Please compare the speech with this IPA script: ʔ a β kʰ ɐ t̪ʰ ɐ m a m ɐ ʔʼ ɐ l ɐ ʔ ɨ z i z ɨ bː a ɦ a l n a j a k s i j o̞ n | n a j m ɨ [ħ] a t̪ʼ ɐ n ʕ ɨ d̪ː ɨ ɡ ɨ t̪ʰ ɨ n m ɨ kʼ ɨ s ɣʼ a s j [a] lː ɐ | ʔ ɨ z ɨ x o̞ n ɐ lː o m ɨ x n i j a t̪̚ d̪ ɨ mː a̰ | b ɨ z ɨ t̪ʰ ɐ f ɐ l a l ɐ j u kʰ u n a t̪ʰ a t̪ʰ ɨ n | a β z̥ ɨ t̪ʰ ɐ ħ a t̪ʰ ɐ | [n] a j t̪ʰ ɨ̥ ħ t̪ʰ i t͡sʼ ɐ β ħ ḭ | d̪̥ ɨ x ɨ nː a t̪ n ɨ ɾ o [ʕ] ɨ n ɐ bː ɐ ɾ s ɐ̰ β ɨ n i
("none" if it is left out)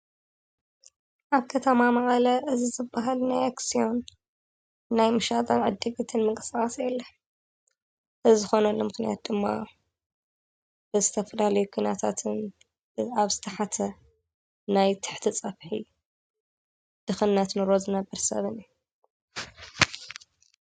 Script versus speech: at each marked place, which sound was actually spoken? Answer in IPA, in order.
ʃ, ɛ, n, z

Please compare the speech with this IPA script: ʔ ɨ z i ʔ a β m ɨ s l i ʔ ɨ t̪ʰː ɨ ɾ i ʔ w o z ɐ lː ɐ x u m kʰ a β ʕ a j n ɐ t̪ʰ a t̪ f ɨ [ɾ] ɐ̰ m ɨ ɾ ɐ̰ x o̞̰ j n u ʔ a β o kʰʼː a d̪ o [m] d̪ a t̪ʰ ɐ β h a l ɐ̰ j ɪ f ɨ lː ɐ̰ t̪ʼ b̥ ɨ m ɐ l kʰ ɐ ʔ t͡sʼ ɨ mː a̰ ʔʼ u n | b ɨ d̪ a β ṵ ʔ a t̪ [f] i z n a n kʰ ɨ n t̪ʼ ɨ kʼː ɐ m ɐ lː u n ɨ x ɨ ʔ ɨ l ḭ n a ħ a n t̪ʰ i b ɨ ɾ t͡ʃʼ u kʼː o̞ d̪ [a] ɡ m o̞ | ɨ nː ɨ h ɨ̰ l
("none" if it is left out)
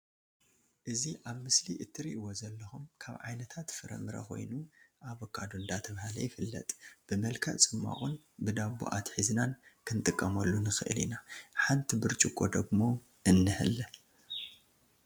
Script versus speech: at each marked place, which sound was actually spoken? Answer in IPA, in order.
ɾ, n, ħ, ɐ

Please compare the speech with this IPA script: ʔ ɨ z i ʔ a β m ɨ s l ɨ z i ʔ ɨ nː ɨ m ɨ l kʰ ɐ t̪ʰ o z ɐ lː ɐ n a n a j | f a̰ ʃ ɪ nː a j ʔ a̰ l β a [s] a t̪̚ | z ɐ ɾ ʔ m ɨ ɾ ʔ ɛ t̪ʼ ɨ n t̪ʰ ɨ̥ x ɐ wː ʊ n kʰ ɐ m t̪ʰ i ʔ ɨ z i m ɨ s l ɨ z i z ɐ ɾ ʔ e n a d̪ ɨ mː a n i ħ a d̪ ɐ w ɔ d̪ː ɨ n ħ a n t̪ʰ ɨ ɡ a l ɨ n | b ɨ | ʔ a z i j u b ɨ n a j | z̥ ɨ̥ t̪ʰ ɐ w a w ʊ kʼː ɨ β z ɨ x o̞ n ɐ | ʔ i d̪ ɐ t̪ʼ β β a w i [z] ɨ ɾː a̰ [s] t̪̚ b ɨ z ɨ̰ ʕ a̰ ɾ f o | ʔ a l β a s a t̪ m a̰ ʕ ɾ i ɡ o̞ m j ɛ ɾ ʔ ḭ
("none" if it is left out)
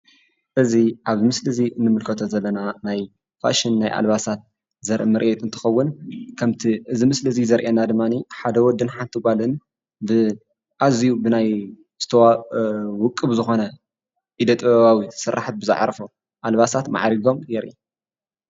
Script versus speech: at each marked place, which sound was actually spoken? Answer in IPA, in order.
s, s, ħ

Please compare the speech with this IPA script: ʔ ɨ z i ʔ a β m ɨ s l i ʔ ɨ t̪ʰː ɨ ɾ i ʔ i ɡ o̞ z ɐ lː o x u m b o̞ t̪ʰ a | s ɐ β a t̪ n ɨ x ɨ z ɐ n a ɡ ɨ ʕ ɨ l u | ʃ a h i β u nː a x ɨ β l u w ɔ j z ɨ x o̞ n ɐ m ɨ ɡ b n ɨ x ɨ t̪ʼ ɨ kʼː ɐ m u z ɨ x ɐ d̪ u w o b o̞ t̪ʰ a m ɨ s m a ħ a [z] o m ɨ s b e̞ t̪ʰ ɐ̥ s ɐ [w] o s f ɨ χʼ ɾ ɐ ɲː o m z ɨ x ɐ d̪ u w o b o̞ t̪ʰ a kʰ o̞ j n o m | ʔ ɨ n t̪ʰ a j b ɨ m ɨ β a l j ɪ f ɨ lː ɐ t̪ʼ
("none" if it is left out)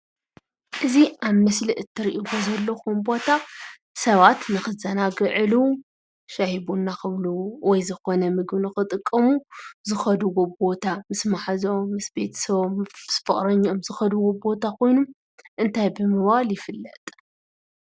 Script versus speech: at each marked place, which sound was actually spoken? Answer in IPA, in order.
z, β

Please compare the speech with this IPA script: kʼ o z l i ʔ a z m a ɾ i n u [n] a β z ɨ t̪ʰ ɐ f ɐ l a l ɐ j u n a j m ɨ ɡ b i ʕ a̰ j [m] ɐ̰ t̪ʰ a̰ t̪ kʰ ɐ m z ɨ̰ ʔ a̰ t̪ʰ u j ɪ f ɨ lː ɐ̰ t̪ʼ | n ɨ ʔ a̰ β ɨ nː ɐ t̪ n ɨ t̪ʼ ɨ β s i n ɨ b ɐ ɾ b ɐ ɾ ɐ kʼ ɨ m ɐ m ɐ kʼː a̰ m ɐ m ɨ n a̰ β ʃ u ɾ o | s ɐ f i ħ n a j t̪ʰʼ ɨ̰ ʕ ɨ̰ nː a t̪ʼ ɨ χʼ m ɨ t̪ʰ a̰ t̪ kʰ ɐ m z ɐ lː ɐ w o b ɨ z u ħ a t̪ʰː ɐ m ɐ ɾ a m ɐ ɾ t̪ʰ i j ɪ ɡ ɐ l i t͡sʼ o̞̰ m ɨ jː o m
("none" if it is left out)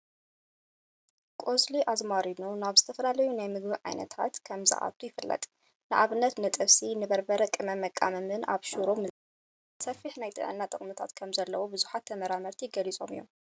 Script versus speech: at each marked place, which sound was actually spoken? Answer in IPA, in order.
n, n

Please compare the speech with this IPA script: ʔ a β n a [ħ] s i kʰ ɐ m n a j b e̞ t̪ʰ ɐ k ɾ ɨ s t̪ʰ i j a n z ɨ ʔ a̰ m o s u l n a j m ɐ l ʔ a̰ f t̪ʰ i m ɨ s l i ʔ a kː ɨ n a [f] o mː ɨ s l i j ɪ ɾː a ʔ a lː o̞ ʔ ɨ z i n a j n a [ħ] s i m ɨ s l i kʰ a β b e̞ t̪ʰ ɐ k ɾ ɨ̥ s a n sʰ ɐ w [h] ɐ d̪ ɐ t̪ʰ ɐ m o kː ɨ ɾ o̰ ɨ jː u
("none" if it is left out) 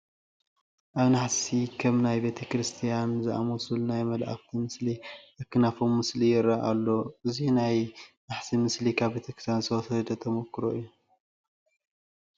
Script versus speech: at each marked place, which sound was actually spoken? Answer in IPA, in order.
ħ, f, ħ, s

